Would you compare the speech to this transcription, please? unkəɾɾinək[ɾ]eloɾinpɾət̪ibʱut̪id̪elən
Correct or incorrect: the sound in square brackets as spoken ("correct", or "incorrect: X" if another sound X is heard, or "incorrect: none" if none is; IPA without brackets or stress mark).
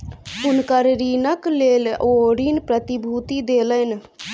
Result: incorrect: l